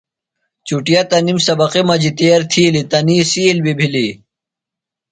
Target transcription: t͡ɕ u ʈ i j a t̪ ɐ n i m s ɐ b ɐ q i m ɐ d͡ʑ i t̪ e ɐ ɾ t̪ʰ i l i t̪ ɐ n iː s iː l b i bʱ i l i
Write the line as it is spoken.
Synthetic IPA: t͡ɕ u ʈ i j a t̪ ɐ n i m s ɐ b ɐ q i m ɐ d͡ʑ i t̪ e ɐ ɾ t̪ʰ i l i t̪ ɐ n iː s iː l b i bʱ i l i